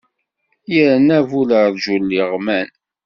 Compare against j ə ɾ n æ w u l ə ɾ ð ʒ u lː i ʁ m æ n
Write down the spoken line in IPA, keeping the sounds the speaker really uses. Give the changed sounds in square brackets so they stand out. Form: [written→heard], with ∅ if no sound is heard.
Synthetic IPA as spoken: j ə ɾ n æ [w→v] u l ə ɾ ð ʒ u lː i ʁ m æ n